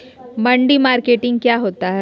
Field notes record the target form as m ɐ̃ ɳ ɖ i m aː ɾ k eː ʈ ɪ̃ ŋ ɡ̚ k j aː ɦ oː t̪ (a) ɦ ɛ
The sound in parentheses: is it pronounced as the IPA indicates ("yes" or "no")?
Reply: yes